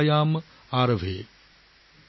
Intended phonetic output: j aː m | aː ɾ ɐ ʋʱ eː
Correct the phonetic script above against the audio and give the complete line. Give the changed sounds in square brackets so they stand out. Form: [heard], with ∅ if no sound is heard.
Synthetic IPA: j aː m | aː ɾ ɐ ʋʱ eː